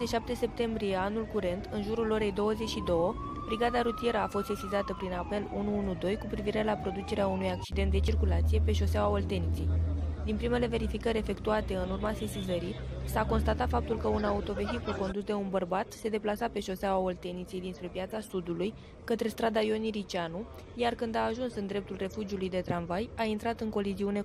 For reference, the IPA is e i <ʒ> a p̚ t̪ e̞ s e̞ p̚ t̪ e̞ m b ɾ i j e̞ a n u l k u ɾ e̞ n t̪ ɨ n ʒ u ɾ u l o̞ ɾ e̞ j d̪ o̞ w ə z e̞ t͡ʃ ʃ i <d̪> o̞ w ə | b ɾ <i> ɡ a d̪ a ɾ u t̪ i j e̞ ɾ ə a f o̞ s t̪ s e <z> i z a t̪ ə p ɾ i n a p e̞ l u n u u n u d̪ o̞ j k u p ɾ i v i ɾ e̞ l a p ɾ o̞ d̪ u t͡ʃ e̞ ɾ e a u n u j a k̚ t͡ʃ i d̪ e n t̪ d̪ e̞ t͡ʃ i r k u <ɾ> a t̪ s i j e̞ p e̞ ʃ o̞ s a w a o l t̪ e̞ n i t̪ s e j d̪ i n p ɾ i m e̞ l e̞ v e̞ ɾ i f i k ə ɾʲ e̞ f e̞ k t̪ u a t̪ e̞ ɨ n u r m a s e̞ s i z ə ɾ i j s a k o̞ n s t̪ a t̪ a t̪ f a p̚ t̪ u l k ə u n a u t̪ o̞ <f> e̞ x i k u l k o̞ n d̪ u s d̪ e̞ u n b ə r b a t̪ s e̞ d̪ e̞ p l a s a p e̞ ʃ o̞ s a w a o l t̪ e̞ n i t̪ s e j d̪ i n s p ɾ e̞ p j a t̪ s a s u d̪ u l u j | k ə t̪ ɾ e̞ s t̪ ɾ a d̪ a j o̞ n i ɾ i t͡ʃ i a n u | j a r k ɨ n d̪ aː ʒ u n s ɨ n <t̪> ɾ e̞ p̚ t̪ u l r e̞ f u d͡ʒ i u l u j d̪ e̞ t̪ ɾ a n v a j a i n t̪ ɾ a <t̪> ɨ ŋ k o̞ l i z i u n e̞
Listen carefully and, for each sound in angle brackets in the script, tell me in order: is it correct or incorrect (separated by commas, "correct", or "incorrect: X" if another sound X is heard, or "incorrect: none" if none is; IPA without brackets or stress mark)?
incorrect: ʃ, correct, correct, incorrect: s, incorrect: l, incorrect: v, incorrect: d̪, correct